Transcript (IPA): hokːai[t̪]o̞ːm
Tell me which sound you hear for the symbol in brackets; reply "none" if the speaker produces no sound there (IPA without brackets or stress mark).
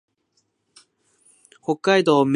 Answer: d̪